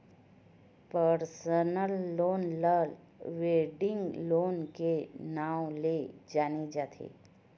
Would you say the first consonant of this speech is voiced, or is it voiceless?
voiceless